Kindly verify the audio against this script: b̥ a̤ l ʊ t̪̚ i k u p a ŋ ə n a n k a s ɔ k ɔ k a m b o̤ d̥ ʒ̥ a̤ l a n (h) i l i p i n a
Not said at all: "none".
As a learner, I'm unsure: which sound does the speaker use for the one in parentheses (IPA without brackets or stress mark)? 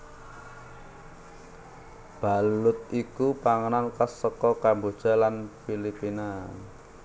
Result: f